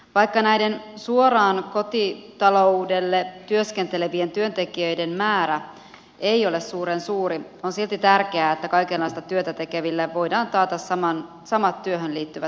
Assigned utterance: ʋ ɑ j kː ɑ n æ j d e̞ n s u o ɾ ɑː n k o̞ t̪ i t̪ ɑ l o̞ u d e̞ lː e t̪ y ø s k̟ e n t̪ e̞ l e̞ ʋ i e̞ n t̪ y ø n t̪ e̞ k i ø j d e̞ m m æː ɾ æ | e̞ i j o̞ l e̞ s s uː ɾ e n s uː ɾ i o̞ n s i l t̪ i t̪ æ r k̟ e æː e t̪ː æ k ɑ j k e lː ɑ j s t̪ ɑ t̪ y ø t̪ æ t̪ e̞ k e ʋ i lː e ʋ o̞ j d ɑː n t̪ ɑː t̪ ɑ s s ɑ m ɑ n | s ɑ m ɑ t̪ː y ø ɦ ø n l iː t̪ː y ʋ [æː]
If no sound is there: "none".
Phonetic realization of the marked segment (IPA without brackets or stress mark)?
æ